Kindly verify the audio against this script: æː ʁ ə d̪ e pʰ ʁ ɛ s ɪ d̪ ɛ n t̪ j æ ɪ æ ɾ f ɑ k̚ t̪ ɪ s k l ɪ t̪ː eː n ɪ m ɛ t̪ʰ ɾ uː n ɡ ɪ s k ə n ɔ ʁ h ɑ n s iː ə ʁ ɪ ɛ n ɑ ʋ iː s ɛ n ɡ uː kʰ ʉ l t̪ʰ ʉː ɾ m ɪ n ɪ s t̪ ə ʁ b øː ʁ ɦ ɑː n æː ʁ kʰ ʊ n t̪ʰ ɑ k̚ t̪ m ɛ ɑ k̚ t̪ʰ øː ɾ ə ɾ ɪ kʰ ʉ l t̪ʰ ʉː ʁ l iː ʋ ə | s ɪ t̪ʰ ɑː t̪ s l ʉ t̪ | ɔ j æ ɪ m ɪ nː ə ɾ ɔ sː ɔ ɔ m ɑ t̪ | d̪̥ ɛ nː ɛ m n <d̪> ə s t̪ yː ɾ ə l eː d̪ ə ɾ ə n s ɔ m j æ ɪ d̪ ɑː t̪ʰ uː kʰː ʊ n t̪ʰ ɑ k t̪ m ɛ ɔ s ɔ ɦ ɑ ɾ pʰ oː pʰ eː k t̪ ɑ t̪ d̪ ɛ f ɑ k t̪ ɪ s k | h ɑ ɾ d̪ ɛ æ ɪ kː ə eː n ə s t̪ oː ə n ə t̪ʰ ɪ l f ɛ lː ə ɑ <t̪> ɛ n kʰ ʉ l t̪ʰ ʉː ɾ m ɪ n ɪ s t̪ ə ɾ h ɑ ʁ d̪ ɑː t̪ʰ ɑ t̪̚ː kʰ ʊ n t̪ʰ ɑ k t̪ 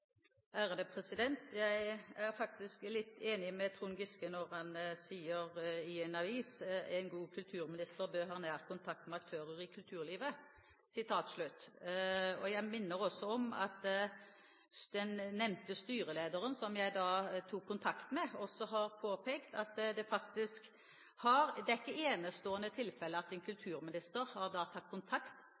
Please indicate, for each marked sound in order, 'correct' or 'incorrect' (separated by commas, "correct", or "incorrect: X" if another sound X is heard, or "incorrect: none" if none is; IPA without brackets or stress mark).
incorrect: t̪, correct